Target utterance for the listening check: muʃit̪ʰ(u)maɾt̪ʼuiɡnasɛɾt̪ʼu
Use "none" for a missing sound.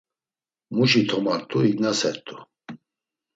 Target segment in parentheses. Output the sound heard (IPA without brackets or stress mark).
ɔ